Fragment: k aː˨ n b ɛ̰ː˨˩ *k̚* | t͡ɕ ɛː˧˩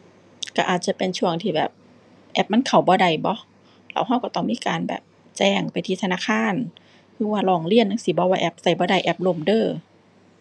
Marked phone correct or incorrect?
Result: incorrect